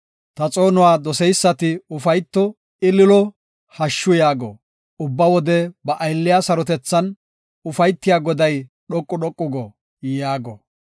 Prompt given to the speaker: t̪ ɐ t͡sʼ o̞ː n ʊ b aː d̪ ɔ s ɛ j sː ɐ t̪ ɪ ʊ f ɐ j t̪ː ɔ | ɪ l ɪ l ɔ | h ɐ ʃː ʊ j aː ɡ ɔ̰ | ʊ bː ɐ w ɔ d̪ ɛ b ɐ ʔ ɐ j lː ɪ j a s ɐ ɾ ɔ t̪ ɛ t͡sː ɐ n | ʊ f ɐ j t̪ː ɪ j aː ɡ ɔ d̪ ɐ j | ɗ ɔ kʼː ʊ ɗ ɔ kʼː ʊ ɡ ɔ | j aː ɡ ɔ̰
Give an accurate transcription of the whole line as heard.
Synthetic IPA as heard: t̪ ɐ t͡sʼ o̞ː n ʊ w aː d̪ ɔ s ɛ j sː ɐ t̪ ɪ ʊ f ɐ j t̪ː ɔ | ɪ l ɪ l ɔ | h ɐ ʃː ʊ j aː ɡ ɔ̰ | ʊ bː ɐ w ɔ d̪ ɛ b ɐ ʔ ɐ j lː ɪ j a s ɐ ɾ ɔ t̪ ɛ t͡sː ɐ n | ʊ f ɐ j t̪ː ɪ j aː ɡ ɔ d̪ ɐ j | ɗ ɔ kʼː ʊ ɗ ɔ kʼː ʊ ɡ ɔ | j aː ɡ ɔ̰